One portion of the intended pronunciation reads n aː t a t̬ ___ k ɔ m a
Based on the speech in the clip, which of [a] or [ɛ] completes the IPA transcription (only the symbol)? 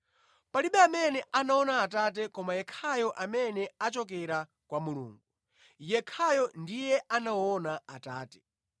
ɛ